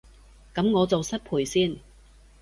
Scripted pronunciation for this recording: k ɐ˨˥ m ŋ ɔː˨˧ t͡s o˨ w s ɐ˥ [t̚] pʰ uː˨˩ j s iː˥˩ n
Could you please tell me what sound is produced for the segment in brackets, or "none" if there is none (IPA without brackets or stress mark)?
t̚